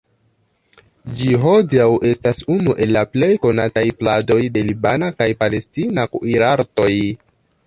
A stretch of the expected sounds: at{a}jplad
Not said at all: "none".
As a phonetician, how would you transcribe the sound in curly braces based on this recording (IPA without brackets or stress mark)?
a